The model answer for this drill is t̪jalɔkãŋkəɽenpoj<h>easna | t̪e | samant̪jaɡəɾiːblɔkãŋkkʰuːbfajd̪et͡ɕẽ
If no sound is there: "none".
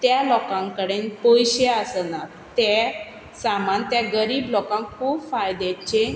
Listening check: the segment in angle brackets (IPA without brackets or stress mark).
ɕ